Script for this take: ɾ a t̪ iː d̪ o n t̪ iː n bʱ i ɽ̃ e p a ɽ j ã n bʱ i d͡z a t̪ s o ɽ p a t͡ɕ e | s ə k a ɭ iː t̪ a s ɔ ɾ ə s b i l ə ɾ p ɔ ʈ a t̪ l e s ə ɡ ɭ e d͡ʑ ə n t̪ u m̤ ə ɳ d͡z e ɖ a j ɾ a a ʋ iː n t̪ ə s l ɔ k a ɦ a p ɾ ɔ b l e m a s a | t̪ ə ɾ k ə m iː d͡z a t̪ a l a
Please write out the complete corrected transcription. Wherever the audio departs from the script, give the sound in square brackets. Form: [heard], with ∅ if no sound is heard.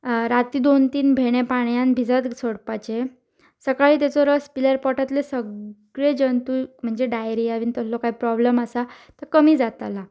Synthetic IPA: ɾ a t̪ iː d̪ o n t̪ iː n bʱ [e] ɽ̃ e p a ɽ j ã n bʱ i d͡z a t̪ s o ɽ p a t͡ɕ e | s ə k a ɭ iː t̪ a [t͡s] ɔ ɾ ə s [p] i l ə ɾ p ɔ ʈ a t̪ l e s ə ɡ ɭ e d͡ʑ ə n t̪ u m̤ ə ɳ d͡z e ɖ a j ɾ [i] a ʋ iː n t̪ ə s l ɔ k a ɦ [i] p ɾ ɔ b l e m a s a | t̪ ə ɾ k ə m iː d͡z a t̪ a l a